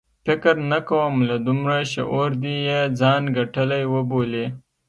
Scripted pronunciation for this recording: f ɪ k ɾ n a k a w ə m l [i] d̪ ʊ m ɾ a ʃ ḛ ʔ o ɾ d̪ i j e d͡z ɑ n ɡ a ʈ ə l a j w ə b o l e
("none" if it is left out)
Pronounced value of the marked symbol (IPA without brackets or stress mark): a